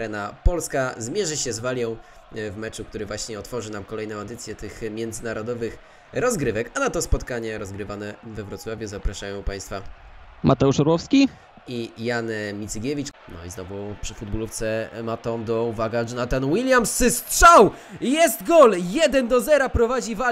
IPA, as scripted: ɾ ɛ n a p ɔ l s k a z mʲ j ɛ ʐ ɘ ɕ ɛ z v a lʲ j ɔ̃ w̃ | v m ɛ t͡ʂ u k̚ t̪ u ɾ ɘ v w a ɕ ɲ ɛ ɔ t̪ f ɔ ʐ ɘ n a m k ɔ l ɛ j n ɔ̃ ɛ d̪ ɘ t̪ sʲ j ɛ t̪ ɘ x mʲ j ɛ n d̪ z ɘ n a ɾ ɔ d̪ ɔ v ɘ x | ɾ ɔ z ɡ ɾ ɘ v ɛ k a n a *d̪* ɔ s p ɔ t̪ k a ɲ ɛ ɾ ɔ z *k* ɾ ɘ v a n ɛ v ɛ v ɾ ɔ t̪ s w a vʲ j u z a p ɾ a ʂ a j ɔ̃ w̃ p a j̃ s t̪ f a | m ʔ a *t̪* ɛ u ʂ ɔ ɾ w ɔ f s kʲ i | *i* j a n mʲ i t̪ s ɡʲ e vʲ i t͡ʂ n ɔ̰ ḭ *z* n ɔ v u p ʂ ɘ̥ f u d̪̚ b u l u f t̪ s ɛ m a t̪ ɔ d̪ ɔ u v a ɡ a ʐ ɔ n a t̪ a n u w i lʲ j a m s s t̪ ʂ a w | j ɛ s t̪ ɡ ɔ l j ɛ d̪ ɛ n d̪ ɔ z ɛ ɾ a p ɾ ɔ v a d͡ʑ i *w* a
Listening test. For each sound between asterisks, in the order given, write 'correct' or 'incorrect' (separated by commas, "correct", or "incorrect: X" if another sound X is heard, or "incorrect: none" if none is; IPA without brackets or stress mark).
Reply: incorrect: t̪, incorrect: ɡ, correct, correct, correct, incorrect: v